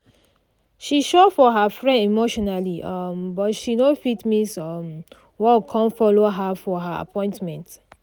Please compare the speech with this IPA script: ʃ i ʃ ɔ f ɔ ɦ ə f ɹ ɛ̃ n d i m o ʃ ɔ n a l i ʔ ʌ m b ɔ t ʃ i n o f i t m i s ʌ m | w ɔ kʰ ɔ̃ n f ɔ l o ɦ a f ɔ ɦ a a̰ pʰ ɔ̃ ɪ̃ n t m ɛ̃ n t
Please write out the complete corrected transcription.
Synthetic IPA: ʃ i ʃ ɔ f ɔ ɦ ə f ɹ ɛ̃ n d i m o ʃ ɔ n a l i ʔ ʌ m b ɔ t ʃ i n o f i t m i s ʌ m | w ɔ kʰ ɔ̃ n f ɔ l o ɦ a f ɔ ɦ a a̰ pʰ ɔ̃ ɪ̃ n t m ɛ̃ n t